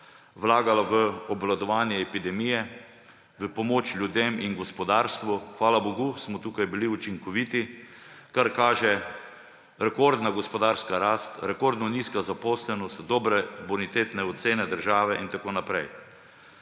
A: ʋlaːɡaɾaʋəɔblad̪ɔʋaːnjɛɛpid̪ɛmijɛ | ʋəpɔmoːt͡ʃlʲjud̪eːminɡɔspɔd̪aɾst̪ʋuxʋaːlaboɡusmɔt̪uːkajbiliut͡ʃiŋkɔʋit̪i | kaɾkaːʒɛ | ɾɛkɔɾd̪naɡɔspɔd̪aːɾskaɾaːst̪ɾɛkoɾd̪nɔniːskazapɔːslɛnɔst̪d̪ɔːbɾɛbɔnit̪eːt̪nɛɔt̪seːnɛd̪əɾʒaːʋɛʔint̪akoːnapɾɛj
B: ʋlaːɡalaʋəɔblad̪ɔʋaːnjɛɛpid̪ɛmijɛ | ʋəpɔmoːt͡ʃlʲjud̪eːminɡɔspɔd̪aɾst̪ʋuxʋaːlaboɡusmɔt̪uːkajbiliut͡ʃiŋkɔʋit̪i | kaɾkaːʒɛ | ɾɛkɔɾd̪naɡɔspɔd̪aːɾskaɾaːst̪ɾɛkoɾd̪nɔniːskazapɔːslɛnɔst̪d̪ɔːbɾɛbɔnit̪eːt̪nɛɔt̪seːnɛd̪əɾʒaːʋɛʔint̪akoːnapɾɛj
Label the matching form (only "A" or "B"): B